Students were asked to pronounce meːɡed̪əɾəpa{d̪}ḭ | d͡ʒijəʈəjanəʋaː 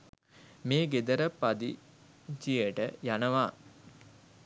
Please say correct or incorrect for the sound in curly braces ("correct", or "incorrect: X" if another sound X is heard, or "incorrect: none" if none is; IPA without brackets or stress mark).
correct